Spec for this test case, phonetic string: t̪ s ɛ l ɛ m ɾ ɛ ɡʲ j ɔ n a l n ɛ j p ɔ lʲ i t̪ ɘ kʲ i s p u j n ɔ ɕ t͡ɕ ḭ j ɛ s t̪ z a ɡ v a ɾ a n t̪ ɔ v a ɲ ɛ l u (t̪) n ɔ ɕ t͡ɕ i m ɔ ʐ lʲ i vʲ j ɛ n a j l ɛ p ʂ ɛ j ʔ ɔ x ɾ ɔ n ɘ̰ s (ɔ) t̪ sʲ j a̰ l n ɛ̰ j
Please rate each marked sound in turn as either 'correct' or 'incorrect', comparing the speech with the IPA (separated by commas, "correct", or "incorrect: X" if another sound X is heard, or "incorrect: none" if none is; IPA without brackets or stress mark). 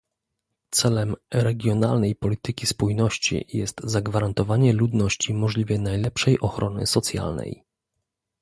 incorrect: d̪, correct